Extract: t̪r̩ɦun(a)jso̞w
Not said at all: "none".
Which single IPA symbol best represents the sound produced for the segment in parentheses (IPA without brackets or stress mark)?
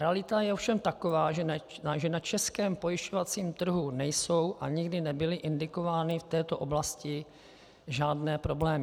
ɛ